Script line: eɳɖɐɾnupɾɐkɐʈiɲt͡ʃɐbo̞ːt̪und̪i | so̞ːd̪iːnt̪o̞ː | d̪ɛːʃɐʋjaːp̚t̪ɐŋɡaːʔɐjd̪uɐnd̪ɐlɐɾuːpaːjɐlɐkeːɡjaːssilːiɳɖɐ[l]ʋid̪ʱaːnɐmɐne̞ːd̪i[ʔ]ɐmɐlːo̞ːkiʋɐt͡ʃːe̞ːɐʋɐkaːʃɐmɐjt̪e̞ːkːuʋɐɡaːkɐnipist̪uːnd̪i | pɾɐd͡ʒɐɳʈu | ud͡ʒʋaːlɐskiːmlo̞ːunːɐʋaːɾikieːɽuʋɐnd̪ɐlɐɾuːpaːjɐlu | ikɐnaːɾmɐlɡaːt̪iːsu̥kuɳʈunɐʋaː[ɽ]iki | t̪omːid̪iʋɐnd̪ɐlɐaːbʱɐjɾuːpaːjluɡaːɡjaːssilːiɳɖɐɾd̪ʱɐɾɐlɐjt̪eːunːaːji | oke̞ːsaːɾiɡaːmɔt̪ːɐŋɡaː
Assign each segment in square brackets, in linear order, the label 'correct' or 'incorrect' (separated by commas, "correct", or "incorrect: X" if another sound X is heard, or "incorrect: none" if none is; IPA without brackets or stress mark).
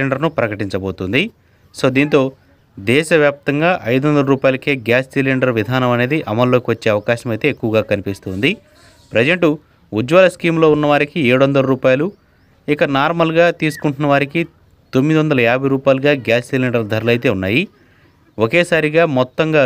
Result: incorrect: ɾ, correct, incorrect: ɾ